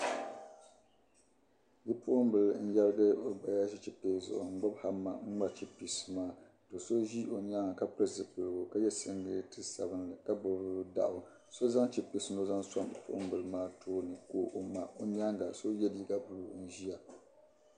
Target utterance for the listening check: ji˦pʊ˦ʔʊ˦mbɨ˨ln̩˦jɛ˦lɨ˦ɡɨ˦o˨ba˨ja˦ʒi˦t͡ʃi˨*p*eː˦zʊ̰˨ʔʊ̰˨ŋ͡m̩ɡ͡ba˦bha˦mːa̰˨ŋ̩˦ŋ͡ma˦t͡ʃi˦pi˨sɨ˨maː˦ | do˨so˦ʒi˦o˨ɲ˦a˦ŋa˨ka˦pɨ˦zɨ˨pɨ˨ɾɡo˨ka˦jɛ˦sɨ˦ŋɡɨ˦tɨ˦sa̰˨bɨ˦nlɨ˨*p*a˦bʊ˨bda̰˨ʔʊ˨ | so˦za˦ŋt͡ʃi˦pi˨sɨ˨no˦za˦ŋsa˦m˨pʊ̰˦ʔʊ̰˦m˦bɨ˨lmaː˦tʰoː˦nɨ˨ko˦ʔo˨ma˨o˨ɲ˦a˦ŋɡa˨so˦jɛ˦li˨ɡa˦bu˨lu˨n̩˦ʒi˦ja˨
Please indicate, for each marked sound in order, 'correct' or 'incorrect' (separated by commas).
correct, incorrect